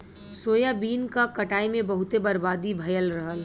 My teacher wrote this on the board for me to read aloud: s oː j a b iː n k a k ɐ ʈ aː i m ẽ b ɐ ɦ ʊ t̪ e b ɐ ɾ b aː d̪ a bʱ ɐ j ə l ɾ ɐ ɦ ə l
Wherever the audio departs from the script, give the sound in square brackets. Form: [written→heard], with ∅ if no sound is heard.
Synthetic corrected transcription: s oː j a b iː n k a k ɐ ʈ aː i m ẽ b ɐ ɦ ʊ t̪ e b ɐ ɾ b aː d̪ [a→i] bʱ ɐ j ə l ɾ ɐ ɦ ə l